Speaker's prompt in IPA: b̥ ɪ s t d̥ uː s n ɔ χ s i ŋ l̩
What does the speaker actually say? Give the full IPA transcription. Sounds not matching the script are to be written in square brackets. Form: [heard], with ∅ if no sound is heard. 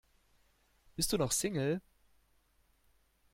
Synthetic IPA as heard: b̥ ɪ s t d̥ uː [∅] n ɔ χ s [ɪ] ŋ l̩